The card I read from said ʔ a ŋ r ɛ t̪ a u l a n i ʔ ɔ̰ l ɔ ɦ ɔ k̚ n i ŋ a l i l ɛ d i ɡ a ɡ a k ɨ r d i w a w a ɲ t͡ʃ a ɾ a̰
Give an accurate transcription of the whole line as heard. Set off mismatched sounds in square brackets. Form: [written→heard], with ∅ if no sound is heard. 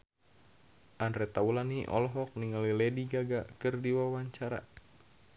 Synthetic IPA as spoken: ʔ a [ŋ→n] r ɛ t̪ a u l a n i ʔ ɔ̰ l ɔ ɦ ɔ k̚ n i ŋ a l i l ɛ d i ɡ a ɡ a k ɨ r d i w a w a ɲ t͡ʃ a ɾ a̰

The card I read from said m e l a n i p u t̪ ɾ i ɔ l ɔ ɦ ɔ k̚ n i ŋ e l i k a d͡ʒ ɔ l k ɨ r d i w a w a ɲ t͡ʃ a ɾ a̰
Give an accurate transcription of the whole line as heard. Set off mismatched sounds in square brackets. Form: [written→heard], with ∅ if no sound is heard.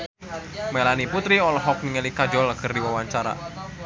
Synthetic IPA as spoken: m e l a n i p u t̪ ɾ i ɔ l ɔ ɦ ɔ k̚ n i ŋ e l i k a d͡ʒ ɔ l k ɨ r d i w a w a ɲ t͡ʃ a ɾ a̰

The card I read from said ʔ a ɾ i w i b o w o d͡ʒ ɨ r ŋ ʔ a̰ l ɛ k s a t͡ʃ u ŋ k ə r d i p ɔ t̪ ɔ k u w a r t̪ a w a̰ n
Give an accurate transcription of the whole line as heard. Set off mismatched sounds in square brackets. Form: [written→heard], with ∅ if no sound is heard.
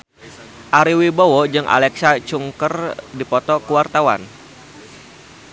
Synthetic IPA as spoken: ʔ a ɾ i w i b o w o d͡ʒ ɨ [r→∅] ŋ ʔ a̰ l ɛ k s a t͡ʃ u ŋ k ə r d i p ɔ t̪ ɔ k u w a r t̪ a w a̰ n

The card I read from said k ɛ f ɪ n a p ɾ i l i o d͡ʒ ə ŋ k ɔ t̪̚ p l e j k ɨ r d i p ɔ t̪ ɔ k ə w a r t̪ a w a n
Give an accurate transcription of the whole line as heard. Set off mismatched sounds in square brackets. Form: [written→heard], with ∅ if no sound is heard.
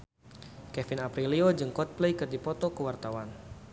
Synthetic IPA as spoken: k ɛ f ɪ n a p ɾ i l i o d͡ʒ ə ŋ k ɔ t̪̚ p l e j k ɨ r d i p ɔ t̪ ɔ k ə w a r t̪ a w a n

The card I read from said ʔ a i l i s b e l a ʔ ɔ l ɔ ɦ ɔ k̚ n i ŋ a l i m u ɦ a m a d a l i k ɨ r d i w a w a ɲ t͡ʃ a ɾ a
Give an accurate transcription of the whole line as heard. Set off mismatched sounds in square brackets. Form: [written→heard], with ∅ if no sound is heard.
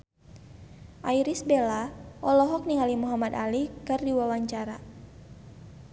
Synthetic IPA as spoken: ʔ a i [l→ɾ] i s b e l a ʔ ɔ l ɔ ɦ ɔ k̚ n i ŋ a l i m u ɦ a m a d a l i k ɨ r d i w a w a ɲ t͡ʃ a ɾ a

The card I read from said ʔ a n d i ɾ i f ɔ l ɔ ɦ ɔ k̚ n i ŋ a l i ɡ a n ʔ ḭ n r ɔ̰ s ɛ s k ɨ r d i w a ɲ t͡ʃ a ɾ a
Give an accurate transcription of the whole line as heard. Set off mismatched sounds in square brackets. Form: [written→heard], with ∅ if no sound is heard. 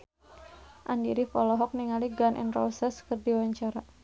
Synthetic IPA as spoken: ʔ a n d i ɾ i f ɔ l ɔ ɦ ɔ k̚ n i ŋ a l i ɡ a n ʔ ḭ n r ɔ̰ s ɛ s k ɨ r d i w a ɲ t͡ʃ a ɾ a

